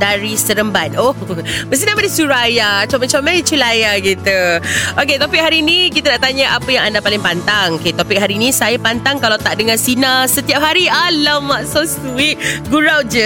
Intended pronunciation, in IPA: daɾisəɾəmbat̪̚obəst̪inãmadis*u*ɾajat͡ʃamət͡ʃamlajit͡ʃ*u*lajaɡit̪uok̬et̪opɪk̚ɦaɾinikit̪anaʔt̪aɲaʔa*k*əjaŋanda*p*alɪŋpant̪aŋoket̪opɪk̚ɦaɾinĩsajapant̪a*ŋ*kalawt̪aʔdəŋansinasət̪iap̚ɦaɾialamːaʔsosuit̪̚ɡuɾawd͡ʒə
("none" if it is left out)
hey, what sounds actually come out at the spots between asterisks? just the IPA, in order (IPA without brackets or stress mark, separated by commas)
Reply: u, u, p, p, ŋ